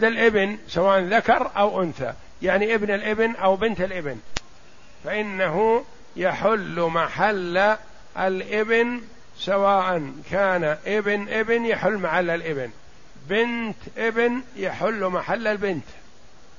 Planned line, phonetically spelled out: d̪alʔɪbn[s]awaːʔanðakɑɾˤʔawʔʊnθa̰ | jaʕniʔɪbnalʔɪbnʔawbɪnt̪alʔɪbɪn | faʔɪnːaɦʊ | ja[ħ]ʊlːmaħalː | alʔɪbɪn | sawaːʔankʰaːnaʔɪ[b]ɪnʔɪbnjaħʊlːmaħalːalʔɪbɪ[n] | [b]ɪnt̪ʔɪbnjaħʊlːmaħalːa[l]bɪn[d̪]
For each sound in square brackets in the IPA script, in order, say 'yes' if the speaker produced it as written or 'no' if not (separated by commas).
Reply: yes, yes, yes, yes, yes, yes, no